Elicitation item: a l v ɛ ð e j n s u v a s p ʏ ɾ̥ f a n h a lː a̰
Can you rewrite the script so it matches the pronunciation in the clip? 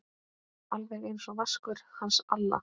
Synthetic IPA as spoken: a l v ɛ ɣ e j n s ɔ v a s k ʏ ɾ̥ h a n s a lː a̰